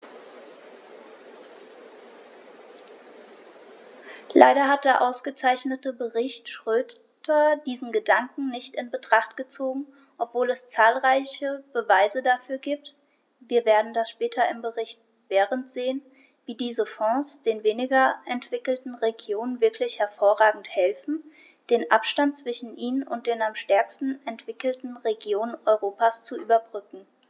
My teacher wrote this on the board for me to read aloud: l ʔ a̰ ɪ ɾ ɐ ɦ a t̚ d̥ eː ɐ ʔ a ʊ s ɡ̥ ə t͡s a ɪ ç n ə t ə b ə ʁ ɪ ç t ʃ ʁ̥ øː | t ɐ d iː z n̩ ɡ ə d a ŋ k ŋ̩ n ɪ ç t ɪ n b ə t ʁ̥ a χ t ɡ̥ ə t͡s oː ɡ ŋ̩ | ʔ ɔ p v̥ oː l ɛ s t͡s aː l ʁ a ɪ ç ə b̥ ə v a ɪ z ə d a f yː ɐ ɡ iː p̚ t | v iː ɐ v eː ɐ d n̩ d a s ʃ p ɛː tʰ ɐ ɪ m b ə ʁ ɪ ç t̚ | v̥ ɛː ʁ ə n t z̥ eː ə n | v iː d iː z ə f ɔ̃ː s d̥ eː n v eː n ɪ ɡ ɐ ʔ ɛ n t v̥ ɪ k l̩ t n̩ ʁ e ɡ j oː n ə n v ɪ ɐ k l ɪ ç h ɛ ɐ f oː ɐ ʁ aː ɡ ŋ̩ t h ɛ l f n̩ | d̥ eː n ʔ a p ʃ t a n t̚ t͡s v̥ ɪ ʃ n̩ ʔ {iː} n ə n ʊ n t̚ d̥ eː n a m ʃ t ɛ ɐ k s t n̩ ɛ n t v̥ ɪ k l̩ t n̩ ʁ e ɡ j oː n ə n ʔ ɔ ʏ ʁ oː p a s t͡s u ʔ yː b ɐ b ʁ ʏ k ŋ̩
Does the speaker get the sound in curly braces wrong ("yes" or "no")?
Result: no